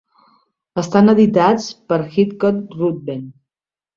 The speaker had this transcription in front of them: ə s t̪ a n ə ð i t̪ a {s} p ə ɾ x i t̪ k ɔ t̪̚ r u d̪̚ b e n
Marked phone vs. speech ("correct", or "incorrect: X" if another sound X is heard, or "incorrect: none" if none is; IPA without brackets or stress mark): incorrect: t͡s